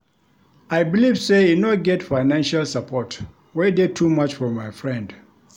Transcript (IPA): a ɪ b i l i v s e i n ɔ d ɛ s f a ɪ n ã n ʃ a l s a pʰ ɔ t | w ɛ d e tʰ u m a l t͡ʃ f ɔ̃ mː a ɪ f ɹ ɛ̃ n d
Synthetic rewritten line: a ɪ b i l i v s e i n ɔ ɡ ɛ t f a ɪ n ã n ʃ a l s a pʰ ɔ t | w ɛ d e tʰ u m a t͡ʃ f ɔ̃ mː a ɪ f ɹ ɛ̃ n d